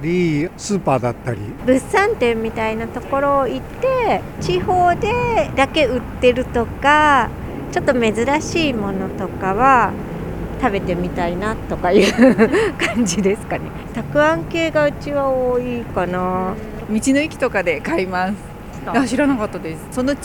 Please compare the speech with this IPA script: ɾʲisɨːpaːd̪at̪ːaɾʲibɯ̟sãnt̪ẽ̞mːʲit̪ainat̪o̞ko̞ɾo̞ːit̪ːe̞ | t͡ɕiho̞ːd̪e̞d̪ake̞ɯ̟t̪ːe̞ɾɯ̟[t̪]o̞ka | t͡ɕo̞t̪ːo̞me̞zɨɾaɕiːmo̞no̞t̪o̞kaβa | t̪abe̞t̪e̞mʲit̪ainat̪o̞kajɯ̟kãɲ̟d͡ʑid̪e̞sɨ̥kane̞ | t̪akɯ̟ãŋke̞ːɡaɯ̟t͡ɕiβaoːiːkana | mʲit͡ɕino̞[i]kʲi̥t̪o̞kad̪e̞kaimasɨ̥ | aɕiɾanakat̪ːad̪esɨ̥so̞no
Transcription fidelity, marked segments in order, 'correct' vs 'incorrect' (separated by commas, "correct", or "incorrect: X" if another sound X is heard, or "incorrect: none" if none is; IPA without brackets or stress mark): correct, correct